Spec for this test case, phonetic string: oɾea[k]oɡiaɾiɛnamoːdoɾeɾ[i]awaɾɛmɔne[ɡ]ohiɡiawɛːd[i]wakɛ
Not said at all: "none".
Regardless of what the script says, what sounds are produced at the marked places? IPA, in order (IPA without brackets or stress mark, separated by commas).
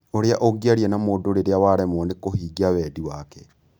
ʔ, e, k, i